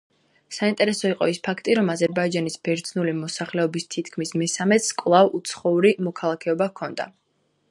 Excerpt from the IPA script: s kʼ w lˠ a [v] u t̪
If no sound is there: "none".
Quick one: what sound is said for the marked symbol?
v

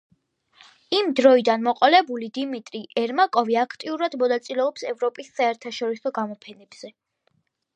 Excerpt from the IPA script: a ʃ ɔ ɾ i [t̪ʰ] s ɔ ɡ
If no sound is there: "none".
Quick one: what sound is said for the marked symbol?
none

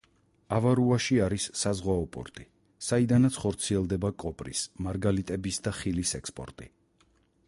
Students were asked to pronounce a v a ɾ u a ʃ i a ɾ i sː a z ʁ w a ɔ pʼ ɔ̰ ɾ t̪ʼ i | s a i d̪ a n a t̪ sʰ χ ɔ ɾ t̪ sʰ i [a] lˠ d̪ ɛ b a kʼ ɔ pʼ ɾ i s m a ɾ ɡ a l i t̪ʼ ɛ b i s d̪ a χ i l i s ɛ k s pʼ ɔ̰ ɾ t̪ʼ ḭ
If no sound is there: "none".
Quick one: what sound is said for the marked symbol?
ɛ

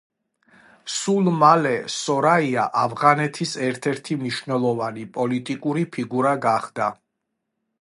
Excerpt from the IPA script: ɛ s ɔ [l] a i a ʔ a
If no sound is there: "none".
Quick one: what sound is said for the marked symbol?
ɾ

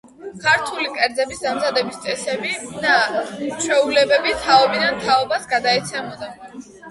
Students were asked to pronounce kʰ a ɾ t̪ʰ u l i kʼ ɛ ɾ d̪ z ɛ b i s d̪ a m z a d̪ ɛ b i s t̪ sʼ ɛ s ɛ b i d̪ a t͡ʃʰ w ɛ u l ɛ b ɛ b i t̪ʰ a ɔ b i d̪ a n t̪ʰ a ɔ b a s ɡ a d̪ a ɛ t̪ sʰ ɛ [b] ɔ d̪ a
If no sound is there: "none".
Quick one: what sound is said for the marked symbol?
m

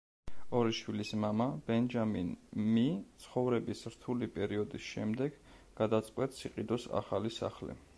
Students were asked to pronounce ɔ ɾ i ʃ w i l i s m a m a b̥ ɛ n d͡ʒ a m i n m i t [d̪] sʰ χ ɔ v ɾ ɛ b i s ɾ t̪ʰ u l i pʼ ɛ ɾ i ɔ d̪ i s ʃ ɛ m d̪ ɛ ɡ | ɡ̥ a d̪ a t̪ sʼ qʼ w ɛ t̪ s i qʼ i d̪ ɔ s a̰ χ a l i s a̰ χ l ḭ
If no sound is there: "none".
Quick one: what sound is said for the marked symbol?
t̪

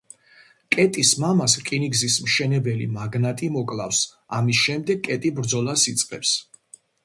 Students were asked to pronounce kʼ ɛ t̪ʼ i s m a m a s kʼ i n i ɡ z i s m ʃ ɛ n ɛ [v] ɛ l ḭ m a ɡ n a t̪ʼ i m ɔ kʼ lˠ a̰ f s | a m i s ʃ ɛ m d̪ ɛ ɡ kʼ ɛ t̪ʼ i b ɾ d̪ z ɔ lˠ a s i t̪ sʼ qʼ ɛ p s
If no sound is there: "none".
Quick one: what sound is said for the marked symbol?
b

